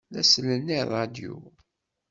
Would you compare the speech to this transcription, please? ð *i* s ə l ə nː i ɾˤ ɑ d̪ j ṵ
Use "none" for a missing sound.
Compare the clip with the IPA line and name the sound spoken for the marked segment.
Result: æ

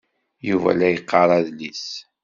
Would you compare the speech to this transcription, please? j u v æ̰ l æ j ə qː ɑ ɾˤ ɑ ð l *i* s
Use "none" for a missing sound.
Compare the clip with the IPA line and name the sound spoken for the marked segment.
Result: i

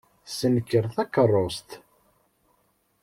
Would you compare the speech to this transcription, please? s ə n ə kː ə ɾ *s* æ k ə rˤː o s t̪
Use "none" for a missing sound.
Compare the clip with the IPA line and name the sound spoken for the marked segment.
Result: θ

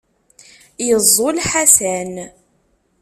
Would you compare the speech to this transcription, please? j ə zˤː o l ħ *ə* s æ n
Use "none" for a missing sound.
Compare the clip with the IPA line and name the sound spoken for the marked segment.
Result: a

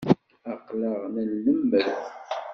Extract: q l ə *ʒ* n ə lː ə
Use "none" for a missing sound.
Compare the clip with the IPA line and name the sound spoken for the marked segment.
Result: ʁ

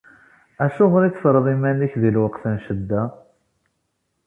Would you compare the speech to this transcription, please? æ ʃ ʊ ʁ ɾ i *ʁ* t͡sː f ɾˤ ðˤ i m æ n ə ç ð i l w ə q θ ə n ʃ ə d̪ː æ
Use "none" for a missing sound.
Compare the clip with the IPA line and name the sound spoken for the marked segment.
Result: none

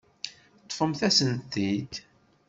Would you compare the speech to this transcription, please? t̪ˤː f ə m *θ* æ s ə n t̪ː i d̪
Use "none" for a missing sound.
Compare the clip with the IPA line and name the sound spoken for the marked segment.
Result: θ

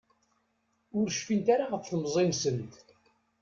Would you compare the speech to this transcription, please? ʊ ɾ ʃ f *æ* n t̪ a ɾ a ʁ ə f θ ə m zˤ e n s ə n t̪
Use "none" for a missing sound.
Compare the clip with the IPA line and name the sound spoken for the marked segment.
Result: i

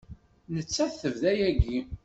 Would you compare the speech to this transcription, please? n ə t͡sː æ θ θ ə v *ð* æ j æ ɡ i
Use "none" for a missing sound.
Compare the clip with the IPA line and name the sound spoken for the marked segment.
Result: ð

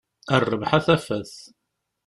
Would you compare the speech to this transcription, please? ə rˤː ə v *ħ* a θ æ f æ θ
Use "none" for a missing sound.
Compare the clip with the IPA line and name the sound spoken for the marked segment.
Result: ħ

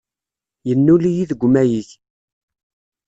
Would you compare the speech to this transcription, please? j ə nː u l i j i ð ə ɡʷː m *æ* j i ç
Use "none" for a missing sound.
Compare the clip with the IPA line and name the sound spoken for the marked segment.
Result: æ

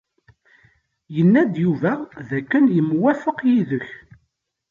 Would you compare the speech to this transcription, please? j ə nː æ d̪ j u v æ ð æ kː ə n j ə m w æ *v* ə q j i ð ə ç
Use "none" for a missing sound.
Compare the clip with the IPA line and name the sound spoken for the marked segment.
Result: f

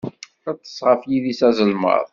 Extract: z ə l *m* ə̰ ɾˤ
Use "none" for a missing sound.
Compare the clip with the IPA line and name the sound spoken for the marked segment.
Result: m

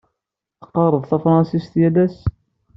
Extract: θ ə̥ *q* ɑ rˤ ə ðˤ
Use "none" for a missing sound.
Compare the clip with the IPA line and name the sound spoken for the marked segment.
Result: q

